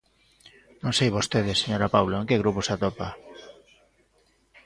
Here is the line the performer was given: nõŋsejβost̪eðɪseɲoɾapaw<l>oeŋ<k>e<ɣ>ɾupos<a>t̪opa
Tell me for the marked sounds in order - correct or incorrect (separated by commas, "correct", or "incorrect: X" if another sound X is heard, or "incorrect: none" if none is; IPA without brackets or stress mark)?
correct, correct, correct, correct